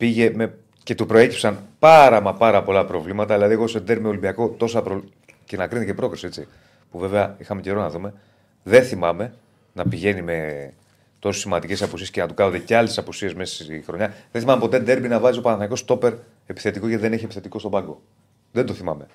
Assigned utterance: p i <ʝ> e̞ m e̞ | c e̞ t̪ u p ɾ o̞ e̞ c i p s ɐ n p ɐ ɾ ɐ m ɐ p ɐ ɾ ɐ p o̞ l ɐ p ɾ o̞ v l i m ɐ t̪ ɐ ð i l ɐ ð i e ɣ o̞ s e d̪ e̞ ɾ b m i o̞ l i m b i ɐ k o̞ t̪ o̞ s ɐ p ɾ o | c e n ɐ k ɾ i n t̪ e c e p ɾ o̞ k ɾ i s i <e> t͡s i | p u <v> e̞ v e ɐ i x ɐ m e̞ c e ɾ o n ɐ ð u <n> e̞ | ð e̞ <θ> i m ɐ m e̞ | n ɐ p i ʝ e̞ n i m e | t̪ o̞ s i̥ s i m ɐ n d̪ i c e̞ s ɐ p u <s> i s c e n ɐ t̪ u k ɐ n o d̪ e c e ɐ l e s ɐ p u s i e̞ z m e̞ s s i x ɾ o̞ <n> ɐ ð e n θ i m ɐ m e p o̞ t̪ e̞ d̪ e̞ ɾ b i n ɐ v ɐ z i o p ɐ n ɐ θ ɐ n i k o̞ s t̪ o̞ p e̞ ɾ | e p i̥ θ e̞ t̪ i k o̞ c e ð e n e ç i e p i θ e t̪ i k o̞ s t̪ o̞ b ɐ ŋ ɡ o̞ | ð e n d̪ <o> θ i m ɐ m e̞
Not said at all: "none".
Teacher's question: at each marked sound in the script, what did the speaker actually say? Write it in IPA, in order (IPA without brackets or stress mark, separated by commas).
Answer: ʝ, e, v, m, θ, s, ɲ, o